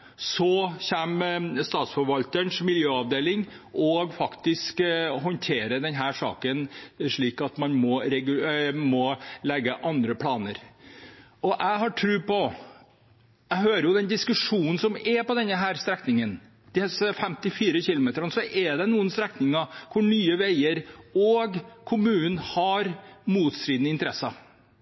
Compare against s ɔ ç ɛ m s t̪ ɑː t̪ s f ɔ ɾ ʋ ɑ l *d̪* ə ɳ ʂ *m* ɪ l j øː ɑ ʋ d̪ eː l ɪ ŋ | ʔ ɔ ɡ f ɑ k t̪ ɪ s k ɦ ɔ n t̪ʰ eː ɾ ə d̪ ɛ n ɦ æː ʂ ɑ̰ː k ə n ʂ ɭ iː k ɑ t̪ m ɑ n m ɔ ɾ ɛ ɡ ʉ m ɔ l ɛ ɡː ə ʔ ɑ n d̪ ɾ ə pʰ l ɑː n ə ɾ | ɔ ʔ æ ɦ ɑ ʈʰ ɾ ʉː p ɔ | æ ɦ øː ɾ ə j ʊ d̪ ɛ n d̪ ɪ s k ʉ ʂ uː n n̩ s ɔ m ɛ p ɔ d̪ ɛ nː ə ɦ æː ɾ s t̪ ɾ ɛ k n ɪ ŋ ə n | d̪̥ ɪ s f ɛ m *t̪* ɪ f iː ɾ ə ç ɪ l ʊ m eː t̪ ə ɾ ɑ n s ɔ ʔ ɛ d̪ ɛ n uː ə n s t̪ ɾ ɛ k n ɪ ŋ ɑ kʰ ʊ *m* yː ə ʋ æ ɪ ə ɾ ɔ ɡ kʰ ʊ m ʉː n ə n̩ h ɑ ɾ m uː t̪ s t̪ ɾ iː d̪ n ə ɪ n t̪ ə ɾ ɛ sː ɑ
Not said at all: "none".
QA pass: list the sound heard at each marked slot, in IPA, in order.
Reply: t̪, m, t̪, ɳ

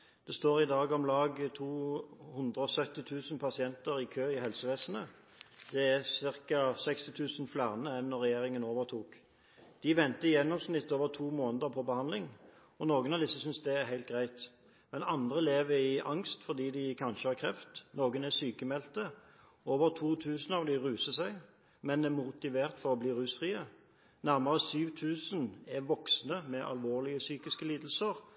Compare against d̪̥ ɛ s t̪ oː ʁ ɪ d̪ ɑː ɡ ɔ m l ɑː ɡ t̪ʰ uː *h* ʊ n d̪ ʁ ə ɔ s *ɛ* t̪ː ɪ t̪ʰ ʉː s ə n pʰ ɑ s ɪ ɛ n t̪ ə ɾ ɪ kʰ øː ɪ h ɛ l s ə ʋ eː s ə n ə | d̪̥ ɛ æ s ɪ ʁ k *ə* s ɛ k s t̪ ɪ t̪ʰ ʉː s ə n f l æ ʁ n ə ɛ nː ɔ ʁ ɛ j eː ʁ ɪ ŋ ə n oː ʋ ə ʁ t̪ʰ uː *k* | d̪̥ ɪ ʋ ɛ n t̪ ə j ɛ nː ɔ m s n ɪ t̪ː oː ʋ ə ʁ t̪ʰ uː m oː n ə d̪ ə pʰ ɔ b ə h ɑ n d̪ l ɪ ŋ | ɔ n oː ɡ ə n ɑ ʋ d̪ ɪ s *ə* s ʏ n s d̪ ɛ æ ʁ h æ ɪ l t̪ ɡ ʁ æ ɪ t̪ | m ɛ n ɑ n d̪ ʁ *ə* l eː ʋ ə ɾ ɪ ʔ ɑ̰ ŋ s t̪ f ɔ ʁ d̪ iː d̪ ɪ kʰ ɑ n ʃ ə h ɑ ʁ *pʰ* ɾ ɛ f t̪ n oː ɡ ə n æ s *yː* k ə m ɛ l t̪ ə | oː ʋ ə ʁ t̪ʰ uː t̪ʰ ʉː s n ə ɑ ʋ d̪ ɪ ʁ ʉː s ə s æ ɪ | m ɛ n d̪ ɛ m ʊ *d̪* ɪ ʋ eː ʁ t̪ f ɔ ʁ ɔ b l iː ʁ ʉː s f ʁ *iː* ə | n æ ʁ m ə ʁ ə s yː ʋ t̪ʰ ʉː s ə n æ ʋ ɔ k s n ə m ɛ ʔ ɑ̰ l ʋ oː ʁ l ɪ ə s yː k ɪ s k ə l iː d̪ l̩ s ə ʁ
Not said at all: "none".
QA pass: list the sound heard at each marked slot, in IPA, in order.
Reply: h, œ, ɑ, k, ə, ə, kʰ, yː, t̪, iː

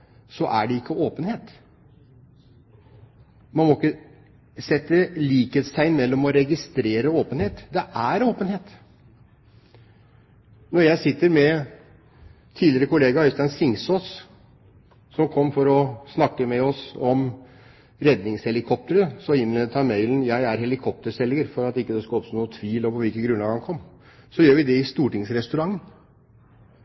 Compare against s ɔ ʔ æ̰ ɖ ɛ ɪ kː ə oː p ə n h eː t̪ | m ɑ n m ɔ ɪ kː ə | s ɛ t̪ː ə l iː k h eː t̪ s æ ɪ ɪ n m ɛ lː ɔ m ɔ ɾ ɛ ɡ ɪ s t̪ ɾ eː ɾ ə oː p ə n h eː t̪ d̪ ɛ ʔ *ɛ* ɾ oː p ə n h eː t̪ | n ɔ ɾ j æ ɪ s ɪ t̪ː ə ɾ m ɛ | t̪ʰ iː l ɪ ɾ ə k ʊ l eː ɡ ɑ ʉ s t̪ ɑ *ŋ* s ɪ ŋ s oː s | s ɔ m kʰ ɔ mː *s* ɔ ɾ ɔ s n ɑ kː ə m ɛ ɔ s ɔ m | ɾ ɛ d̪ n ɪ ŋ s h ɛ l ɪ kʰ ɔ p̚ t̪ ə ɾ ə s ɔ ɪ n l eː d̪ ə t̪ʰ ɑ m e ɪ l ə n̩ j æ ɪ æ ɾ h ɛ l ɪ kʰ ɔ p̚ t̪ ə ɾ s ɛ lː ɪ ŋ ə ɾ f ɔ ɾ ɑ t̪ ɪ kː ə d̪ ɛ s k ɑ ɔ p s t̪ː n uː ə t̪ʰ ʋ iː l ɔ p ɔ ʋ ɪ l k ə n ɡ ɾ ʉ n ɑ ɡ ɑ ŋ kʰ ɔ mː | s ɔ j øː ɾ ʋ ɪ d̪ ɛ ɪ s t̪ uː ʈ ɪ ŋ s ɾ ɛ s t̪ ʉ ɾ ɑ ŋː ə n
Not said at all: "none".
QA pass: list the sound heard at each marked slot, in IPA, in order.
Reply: æ, n, f

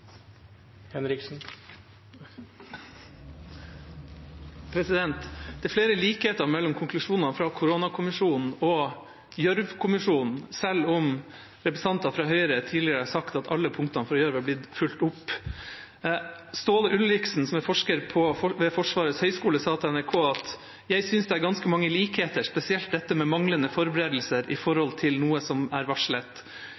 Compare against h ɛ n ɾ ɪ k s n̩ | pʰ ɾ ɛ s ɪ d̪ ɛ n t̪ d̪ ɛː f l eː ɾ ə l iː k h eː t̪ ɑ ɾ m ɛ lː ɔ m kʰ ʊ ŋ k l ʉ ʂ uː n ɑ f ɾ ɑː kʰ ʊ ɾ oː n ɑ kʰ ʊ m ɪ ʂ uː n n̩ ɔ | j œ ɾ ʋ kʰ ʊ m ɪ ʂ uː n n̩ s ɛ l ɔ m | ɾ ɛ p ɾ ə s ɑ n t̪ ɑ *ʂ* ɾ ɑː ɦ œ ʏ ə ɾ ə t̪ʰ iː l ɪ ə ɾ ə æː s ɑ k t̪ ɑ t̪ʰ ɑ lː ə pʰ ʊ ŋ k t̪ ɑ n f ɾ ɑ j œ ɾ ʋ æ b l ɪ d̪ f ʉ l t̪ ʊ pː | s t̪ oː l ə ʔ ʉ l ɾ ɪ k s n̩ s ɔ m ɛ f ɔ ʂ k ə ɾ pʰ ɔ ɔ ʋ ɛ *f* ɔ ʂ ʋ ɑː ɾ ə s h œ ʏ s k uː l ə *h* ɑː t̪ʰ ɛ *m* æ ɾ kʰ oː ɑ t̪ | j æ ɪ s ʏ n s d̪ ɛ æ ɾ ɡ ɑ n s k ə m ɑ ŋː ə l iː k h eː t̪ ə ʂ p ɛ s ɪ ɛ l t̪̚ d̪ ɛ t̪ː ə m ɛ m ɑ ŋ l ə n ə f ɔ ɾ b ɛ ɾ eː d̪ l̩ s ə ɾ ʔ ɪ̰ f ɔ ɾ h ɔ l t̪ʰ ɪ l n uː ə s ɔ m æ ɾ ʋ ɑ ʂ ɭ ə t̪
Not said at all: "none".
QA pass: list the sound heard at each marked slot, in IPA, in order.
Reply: f, f, s, n

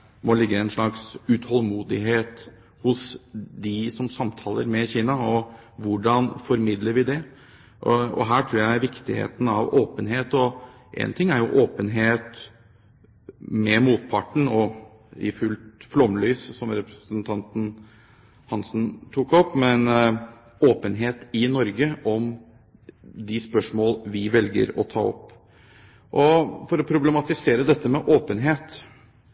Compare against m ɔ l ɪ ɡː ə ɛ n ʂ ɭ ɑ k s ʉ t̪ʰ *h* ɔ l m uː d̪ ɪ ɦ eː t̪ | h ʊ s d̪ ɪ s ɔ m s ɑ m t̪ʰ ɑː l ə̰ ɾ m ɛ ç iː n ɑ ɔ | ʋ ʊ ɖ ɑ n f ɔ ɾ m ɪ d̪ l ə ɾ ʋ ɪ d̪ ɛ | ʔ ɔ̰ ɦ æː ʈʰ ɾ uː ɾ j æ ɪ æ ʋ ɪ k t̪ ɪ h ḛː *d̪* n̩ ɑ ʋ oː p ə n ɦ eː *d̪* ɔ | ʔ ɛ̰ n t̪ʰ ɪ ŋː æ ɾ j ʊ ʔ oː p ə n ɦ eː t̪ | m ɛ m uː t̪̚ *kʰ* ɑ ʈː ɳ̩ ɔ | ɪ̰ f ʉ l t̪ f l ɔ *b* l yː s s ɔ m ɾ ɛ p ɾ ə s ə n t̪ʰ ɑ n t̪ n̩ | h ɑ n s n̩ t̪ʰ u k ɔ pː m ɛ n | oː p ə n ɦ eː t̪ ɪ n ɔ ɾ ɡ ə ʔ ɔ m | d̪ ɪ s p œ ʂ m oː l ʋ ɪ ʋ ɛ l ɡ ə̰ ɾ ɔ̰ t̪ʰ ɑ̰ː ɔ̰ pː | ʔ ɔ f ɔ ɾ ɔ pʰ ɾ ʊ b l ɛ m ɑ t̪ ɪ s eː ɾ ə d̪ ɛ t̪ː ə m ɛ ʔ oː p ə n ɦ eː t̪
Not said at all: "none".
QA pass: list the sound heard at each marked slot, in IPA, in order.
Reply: h, t̪, t̪, pʰ, m

